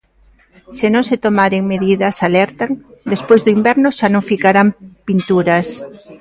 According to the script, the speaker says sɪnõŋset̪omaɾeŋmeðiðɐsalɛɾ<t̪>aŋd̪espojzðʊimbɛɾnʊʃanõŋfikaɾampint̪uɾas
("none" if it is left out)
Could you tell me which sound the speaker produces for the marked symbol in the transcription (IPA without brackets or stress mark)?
t̪